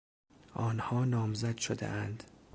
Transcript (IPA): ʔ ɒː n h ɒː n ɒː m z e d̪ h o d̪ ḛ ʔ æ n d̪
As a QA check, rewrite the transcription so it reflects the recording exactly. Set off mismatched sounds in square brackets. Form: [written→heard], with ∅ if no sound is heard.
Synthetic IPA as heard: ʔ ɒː n h ɒː n ɒː m z [e→æ] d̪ [h→ʃ] o d̪ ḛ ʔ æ n d̪

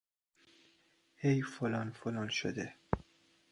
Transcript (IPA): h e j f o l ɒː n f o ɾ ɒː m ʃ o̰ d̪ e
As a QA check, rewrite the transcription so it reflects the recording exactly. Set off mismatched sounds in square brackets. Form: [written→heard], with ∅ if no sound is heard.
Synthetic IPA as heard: h e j f o l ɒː n f o [ɾ→l] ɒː [m→n] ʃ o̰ d̪ e

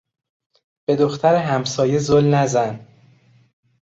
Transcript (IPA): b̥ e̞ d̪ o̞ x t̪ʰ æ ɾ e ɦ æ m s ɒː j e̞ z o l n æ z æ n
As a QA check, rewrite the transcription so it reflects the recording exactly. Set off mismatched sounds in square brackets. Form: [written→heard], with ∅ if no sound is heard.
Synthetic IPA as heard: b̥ e̞ d̪ o̞ x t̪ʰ æ ɾ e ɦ æ m s ɒː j e̞ z o l n æ z æ n

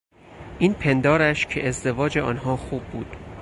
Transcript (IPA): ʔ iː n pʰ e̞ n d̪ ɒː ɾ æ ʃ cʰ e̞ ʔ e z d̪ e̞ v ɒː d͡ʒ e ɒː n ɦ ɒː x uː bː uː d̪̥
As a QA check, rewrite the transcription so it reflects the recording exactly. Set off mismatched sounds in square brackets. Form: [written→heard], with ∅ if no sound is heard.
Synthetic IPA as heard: ʔ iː n pʰ e̞ n d̪ ɒː ɾ æ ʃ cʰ e̞ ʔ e z d̪ e̞ v ɒː d͡ʒ e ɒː n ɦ ɒː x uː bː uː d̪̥

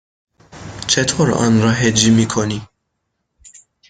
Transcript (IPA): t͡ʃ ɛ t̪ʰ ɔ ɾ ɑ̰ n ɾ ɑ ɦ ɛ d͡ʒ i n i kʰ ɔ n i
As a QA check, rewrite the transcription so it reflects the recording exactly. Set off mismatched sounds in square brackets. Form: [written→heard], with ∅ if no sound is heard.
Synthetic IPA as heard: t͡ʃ ɛ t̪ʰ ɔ ɾ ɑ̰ n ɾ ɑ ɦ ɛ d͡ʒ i [n→m] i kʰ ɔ n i

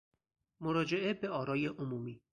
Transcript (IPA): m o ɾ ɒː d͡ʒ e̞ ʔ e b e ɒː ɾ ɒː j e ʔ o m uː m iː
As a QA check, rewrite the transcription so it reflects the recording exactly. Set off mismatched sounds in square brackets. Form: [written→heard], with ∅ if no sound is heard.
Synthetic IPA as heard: m o ɾ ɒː d͡ʒ e̞ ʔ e b e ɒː ɾ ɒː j e ʔ o m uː m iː

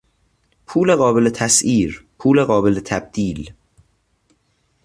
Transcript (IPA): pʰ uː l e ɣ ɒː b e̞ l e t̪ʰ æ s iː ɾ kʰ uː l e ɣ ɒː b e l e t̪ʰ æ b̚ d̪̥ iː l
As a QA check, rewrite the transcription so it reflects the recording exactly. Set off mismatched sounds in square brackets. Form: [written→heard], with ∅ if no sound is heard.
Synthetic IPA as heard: pʰ uː l e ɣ ɒː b e̞ l e t̪ʰ æ s iː ɾ [kʰ→pʰ] uː l e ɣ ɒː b e l e t̪ʰ æ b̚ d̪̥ iː l

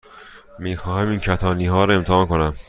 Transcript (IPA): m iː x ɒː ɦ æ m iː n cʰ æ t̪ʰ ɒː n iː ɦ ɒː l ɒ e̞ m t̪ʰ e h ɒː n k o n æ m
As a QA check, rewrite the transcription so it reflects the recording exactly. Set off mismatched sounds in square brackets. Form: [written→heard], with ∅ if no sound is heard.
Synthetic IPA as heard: m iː x ɒː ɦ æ m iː n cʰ æ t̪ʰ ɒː n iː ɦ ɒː [l→ɾ] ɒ e̞ m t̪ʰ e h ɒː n k o n æ m

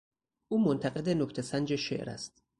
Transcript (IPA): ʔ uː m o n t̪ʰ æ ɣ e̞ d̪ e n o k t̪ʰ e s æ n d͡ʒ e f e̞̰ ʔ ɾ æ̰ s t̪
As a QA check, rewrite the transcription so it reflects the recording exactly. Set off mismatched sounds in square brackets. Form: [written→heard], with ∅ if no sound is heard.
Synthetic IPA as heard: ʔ uː m o n t̪ʰ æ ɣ e̞ d̪ e n o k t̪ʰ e s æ n d͡ʒ e [f→ʃ] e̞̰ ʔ ɾ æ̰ s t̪

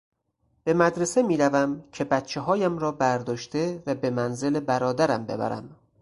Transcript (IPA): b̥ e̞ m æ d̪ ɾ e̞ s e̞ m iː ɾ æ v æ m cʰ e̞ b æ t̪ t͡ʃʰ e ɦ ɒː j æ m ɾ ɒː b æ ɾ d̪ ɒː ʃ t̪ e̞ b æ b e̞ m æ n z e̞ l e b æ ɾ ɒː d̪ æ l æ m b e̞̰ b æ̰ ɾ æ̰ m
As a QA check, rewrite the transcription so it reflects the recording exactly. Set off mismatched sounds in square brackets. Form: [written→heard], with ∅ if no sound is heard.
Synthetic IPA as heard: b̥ e̞ m æ d̪ ɾ e̞ s e̞ m iː ɾ æ v æ m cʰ e̞ b æ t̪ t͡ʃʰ e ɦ ɒː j æ m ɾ ɒː b æ ɾ d̪ ɒː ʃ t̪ e̞ [b→v] æ b e̞ m æ n z e̞ l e b æ ɾ ɒː d̪ æ [l→ɾ] æ m b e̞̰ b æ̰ ɾ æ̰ m

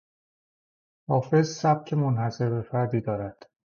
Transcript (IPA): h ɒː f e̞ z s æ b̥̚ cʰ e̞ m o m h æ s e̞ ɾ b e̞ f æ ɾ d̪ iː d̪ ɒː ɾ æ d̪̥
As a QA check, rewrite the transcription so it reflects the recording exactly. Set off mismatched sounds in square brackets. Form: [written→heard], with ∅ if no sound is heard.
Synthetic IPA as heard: h ɒː f e̞ z s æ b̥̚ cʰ e̞ m o [m→n] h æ s e̞ ɾ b e̞ f æ ɾ d̪ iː d̪ ɒː ɾ æ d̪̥

